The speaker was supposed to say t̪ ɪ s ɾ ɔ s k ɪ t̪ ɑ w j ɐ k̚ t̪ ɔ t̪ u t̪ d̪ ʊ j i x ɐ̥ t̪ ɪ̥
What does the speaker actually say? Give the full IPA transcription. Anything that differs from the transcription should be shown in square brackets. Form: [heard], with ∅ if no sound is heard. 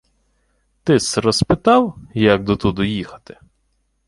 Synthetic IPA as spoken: t̪ ɪ s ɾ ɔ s [p] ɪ t̪ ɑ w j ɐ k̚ [d̪] ɔ t̪ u [∅] d̪ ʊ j i x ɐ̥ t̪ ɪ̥